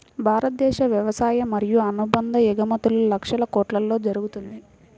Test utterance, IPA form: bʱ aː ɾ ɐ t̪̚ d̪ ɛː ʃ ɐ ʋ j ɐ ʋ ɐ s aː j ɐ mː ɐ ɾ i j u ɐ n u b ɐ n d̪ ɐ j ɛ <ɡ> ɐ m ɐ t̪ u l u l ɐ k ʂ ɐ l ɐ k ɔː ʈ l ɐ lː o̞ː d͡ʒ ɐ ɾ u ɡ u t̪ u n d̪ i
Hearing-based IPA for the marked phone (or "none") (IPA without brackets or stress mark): ɡ